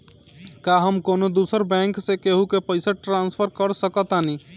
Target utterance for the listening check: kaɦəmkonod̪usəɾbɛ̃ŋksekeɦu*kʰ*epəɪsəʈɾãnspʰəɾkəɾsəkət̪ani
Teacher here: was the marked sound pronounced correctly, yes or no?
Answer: no